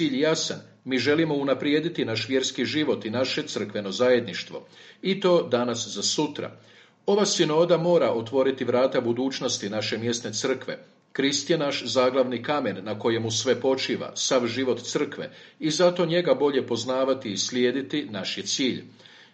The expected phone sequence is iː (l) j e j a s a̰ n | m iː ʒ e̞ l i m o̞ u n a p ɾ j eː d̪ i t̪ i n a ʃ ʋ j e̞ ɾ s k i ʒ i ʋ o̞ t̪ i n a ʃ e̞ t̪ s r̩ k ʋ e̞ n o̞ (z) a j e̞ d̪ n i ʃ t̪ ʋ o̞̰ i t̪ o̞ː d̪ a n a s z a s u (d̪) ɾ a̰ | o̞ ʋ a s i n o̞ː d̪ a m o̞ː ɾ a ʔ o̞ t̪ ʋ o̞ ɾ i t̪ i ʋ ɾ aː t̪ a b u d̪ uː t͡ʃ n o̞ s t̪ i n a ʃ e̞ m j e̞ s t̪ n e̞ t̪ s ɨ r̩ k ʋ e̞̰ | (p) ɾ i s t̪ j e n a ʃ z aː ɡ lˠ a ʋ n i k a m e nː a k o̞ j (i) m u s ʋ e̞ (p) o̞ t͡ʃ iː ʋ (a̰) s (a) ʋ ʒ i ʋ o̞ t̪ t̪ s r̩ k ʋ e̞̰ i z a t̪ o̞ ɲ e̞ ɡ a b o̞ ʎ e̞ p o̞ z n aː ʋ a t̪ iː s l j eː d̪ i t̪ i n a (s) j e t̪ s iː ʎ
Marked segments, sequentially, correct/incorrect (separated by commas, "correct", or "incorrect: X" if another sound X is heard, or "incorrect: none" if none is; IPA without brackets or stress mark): incorrect: ʎ, correct, incorrect: t̪, incorrect: k, incorrect: e, correct, correct, correct, incorrect: ʃ